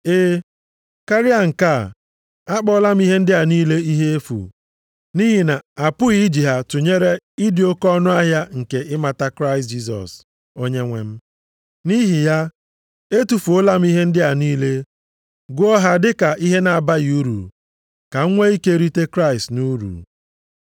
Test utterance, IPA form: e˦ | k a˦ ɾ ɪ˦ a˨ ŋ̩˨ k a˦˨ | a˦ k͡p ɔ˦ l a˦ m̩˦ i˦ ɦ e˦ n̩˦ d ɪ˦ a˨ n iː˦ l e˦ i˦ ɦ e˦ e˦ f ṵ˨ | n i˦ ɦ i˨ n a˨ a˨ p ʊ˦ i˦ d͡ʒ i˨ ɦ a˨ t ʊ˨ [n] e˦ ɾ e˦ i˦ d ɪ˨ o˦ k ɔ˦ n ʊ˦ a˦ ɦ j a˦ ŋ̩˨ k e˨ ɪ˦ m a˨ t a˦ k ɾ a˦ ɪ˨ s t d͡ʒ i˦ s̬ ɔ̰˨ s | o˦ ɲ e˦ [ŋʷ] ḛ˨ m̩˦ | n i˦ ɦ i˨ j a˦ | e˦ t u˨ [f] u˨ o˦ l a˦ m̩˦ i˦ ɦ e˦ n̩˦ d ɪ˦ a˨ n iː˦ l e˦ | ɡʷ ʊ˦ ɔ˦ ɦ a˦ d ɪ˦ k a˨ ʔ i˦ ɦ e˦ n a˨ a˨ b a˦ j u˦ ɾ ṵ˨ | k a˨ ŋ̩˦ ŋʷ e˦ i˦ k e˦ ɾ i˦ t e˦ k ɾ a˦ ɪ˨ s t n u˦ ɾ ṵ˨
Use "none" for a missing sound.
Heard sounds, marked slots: ɲ, ŋʷ, f

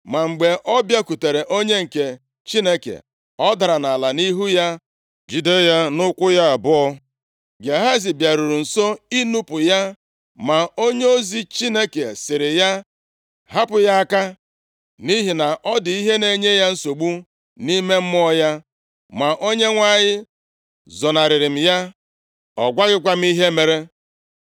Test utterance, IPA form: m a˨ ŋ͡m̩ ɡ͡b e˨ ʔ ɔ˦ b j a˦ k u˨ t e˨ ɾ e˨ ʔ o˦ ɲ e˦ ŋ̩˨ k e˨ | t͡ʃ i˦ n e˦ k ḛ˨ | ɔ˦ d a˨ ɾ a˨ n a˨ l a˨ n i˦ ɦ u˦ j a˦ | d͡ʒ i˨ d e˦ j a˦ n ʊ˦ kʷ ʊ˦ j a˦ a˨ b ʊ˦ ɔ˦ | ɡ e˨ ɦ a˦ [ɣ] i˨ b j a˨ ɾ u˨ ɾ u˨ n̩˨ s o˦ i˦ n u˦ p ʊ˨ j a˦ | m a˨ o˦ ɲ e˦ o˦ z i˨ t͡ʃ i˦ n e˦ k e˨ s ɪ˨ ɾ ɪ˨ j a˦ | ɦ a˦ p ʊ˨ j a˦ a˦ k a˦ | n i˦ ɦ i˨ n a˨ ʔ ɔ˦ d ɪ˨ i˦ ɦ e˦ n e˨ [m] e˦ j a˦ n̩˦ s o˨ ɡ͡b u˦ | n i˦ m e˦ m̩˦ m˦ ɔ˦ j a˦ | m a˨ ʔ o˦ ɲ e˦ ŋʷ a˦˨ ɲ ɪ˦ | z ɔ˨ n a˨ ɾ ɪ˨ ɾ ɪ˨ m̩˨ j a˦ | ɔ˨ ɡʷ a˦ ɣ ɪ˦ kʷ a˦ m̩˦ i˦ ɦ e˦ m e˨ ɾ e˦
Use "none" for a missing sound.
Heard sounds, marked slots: z, ɲ

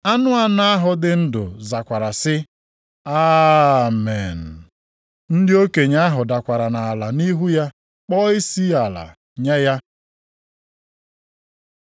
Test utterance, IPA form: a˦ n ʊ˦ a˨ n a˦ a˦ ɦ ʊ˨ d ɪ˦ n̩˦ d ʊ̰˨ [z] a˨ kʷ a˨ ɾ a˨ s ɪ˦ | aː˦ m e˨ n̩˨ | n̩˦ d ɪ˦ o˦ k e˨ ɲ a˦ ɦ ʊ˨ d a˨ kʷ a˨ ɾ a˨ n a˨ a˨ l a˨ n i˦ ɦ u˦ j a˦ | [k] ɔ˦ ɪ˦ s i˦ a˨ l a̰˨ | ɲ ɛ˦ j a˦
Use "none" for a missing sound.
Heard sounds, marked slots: z, k͡p

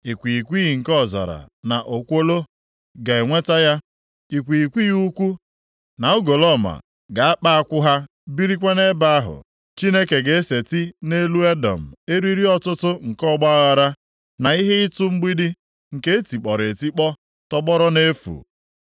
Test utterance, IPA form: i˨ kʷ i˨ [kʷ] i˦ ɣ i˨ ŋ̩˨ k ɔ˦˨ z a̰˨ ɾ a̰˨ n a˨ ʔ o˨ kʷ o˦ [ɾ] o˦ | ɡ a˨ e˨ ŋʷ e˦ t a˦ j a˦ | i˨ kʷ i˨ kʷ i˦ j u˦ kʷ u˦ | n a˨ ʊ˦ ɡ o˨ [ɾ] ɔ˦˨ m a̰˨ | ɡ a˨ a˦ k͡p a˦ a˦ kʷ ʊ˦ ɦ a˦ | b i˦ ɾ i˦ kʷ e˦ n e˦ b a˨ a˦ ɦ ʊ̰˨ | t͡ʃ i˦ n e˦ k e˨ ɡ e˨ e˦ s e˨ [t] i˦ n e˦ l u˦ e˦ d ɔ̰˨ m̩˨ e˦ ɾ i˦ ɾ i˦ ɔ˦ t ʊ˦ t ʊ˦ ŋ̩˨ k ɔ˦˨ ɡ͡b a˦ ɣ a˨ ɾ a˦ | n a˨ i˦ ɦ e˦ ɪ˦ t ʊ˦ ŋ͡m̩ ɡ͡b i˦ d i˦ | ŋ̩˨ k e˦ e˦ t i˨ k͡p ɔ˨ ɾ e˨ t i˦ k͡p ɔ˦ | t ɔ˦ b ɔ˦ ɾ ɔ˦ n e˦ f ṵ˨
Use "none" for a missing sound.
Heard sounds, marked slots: kʷ, l, l, t

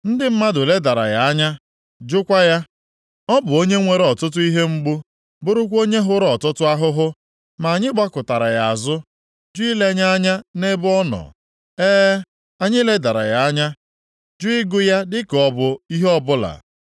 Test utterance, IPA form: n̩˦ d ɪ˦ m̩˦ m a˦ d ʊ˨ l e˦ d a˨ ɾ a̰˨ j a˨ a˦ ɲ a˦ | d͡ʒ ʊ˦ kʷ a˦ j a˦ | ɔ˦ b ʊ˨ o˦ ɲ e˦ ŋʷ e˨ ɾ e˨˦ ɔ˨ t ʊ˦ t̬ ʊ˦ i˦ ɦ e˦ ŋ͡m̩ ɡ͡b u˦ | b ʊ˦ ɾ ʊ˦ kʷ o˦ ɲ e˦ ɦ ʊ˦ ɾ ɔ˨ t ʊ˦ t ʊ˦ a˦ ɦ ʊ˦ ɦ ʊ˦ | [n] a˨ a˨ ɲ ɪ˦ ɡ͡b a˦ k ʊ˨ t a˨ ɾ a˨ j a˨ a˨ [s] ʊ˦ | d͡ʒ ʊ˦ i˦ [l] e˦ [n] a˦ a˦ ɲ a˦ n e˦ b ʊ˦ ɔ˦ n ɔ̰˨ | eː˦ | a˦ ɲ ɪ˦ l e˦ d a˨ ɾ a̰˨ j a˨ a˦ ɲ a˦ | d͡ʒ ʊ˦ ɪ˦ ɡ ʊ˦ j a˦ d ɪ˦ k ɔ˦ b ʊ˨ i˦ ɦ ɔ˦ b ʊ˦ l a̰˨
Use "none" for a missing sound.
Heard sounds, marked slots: m, z, l, ɲ

